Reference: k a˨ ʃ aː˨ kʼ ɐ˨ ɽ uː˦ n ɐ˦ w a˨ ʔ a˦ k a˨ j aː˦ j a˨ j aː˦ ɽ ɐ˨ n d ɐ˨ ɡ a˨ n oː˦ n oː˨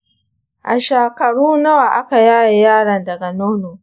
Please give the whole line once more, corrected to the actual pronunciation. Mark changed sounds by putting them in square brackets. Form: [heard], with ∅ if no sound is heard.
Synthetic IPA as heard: [ʔ] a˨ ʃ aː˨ [k] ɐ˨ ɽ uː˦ n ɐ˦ w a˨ ʔ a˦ k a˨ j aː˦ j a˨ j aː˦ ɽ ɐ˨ n d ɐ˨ ɡ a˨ n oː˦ n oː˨